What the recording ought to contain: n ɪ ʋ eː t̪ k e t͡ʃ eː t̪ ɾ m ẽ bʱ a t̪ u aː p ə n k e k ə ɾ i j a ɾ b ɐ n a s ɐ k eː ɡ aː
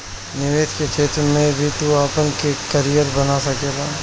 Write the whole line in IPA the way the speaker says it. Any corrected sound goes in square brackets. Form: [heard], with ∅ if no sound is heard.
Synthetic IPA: n ɪ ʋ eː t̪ k e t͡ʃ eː t̪ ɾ m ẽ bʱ [i] t̪ u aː p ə n k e k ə ɾ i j [ə] ɾ b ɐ n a s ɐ k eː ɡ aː

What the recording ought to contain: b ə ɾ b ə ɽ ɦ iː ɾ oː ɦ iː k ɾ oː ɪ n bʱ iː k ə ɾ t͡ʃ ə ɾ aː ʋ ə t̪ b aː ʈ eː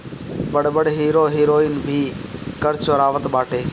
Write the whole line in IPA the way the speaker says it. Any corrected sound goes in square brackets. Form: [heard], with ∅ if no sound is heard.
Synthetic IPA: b ə [ɽ] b ə ɽ ɦ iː ɾ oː ɦ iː [∅] ɾ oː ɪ n bʱ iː k ə ɾ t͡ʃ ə ɾ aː ʋ ə t̪ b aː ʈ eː

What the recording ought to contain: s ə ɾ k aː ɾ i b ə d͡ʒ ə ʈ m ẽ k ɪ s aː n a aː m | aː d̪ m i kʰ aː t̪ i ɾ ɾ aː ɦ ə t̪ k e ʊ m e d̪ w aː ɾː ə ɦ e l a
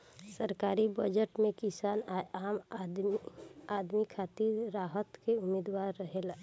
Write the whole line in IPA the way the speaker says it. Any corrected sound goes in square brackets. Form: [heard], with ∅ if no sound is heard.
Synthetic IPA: s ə ɾ k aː ɾ i b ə d͡ʒ ə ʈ m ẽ k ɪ s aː n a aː m | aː d̪ m i kʰ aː t̪ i ɾ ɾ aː ɦ ə t̪ k e ʊ m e d̪ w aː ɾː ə ɦ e l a

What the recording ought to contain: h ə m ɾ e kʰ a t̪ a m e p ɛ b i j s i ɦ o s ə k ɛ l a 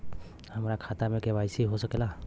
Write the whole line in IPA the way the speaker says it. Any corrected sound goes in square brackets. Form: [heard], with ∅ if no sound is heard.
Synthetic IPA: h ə m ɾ [a] kʰ a t̪ a m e [k] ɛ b [a] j s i ɦ o s ə k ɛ l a

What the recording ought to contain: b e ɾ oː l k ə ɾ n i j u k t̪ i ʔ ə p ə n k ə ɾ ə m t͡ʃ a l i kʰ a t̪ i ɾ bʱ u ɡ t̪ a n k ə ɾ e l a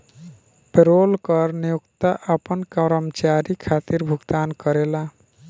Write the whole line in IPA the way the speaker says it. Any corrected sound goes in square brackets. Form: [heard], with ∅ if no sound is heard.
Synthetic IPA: [p] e ɾ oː l k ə ɾ n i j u k t̪ [a] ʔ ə p ə n k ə ɾ ə m t͡ʃ a [ɾ] i kʰ a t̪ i ɾ bʱ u ɡ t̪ a n k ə ɾ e l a

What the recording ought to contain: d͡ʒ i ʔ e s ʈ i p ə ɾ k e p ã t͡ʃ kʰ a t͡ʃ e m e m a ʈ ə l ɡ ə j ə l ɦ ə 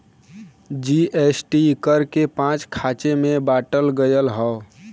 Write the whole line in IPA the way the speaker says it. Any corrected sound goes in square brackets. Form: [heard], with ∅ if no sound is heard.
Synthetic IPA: d͡ʒ i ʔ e s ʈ i [k] ə ɾ k e p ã t͡ʃ kʰ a t͡ʃ e m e [b] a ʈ ə l ɡ ə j ə l ɦ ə

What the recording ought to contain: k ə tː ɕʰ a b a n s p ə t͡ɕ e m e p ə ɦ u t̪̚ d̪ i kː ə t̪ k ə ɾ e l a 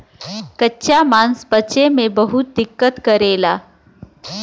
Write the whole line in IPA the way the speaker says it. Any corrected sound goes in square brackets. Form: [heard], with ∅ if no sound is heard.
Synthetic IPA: k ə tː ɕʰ a [m] a n s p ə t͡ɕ e m e [b] ə ɦ u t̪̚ d̪ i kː ə t̪ k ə ɾ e l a

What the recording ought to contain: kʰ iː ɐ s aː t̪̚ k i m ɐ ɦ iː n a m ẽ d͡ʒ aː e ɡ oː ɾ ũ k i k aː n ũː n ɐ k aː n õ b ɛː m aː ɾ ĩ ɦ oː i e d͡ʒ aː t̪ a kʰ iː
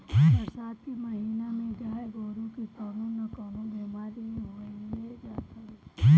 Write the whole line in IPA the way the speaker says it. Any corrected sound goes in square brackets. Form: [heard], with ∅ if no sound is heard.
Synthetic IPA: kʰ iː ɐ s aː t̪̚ k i m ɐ ɦ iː n a m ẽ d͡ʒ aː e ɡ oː ɾ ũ k i k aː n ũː n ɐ k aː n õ b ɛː m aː ɾ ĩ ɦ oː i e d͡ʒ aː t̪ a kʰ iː

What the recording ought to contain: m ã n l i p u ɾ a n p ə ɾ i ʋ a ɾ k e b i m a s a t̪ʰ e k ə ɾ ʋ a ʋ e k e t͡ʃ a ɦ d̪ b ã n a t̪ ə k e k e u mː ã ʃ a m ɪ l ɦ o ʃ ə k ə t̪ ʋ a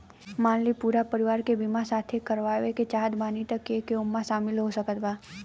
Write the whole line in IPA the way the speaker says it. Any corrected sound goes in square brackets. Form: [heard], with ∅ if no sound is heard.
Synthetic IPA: m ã n l i p u ɾ a [∅] p ə ɾ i ʋ a ɾ k e b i m a s a t̪ʰ e k ə ɾ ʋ a ʋ e k e t͡ʃ a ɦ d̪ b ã n [i] t̪ ə k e k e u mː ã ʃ a m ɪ l ɦ o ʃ ə k ə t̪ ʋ a

